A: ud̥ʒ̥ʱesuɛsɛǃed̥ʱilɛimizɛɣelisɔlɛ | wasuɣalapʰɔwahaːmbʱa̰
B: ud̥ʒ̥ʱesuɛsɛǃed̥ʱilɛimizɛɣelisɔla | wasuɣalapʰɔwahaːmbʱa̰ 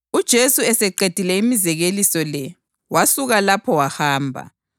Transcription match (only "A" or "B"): A